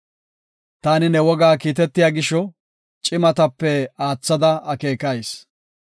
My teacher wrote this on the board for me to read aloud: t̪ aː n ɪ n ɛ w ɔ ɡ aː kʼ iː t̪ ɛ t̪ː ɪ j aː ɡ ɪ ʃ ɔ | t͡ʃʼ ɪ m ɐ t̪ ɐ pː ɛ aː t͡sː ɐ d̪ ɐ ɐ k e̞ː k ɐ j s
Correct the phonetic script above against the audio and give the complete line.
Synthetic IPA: t̪ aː n ɪ n ɛ w ɔ ɡ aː k iː t̪ ɛ t̪ː ɪ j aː ɡ ɪ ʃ ɔ | t͡ʃʼ ɪ m ɐ t̪ ɐ pː ɛ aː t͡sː ɐ d̪ ɐ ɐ k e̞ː k ɐ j s